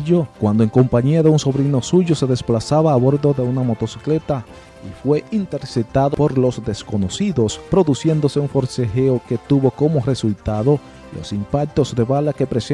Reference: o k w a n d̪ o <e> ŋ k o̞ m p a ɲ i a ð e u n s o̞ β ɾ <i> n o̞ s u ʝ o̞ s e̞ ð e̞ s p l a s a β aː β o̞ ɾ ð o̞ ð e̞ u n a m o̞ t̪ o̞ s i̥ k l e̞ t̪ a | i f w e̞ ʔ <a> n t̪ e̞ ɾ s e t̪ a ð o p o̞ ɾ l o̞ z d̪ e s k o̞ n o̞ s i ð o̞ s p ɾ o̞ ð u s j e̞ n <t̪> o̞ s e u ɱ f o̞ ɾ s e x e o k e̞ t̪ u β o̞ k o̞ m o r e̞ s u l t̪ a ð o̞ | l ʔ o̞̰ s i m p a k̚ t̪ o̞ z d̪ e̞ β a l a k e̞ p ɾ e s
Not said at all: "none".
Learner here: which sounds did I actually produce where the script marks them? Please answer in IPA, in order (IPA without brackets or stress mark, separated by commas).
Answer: e, i, i, d̪